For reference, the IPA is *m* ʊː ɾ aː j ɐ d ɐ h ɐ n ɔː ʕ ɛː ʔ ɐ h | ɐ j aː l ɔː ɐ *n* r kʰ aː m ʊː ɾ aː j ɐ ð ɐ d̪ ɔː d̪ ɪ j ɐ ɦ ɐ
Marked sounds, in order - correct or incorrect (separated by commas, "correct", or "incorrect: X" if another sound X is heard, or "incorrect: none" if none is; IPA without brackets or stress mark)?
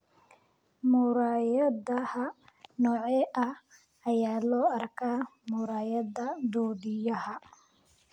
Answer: correct, incorrect: none